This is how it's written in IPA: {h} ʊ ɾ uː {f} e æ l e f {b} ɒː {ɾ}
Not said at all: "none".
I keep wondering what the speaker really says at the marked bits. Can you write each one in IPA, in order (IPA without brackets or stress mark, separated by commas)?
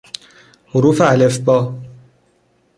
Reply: h, f, b, none